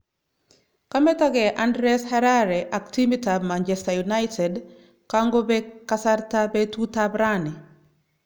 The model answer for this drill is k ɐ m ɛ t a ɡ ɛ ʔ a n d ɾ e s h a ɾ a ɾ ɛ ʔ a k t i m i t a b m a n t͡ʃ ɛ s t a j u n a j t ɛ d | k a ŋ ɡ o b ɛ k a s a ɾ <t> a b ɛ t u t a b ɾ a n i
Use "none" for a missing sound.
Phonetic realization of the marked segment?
t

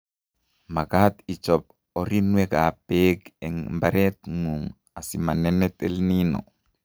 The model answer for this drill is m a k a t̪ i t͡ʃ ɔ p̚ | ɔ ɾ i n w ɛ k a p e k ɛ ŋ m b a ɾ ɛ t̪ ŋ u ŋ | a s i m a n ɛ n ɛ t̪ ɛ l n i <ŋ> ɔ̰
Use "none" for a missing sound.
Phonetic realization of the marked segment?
n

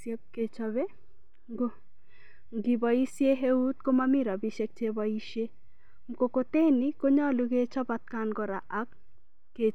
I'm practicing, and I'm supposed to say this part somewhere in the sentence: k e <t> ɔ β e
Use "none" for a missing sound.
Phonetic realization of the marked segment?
t͡ʃ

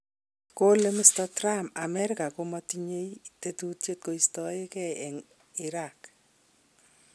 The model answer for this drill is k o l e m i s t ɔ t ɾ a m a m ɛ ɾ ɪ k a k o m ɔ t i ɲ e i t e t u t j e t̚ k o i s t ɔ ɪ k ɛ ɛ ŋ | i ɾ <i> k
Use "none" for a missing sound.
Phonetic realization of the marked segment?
a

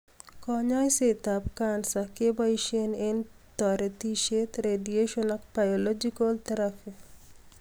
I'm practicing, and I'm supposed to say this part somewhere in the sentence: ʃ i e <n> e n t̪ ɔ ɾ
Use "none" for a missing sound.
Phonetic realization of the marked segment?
n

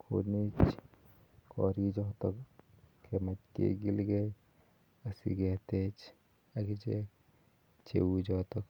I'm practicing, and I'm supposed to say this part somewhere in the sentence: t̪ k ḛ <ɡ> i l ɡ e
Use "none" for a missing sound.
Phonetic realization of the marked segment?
ɡ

